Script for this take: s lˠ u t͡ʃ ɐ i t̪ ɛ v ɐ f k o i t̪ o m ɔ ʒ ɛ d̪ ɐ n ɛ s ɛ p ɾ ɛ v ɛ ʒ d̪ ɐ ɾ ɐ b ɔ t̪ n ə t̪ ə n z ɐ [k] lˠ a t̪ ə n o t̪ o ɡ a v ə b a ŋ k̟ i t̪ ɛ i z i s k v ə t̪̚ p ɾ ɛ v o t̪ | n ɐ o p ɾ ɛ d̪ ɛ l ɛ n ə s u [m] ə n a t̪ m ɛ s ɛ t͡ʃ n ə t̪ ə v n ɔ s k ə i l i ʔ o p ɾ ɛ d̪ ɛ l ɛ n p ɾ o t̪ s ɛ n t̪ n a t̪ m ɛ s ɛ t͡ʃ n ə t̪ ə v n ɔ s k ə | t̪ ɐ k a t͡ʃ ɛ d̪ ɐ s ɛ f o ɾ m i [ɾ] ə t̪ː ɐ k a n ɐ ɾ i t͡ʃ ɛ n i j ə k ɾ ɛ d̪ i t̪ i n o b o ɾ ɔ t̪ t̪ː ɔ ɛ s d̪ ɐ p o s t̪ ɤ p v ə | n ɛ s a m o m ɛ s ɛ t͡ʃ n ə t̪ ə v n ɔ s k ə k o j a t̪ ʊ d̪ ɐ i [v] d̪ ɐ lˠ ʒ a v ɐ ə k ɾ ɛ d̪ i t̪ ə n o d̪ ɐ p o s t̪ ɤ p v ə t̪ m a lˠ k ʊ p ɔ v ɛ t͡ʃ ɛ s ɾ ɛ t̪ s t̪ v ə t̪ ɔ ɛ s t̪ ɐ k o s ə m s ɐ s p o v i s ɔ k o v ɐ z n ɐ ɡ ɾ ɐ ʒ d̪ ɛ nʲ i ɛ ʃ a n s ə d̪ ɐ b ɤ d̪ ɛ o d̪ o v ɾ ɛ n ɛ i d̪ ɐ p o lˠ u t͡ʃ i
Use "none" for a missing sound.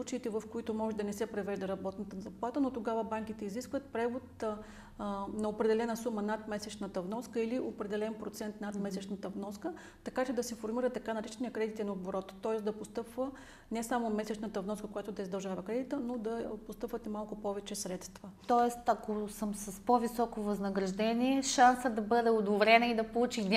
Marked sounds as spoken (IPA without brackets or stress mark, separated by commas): p, m, ɾ, z